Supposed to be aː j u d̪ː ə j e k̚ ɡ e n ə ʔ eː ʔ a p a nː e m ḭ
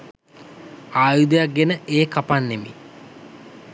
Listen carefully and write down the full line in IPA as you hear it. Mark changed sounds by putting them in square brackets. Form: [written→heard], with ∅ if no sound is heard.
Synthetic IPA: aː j u [d̪ː→d̪] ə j [e→a] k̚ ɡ e n ə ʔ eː [ʔ→k] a p a nː e m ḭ